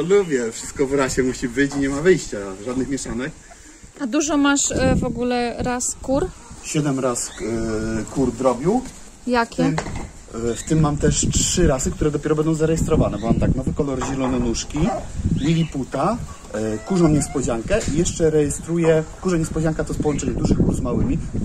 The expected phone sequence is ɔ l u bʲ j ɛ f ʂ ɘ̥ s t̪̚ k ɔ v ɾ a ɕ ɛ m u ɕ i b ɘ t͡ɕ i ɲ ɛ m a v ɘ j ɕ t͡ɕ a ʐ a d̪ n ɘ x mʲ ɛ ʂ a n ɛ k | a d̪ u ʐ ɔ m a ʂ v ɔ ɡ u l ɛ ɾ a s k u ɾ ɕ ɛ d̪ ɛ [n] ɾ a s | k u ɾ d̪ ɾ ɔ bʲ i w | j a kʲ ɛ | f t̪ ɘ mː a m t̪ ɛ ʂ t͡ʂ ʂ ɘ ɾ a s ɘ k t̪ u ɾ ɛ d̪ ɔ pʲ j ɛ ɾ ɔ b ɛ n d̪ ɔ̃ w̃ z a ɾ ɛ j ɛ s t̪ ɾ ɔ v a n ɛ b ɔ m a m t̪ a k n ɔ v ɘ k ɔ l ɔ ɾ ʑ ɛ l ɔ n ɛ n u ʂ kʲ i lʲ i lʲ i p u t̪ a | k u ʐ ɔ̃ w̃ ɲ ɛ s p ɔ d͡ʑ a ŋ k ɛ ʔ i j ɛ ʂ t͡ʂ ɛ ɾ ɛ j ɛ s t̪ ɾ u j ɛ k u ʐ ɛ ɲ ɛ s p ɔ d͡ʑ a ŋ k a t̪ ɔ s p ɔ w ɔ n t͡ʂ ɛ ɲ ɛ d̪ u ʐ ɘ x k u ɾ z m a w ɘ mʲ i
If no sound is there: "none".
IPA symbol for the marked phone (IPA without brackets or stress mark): m